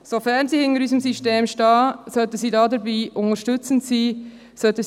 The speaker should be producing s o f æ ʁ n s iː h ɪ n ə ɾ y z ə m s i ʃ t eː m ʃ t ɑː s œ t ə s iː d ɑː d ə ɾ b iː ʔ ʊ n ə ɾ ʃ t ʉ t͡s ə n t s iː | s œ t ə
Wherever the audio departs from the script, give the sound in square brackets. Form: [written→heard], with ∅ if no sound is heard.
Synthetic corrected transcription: s o f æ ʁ n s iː h ɪ n ə ɾ y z ə m s i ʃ t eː m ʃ t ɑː s œ t ə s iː d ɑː d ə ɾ b iː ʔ ʊ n ə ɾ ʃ t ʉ t͡s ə n t s iː | s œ t ə